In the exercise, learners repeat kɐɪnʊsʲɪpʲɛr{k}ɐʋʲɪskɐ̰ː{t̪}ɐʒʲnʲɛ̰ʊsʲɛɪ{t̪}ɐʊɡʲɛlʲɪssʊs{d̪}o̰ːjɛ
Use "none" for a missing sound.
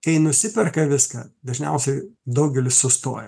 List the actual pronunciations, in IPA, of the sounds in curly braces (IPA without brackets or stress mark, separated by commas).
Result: k, d̪, d̪, t̪